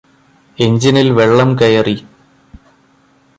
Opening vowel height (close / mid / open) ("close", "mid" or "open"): mid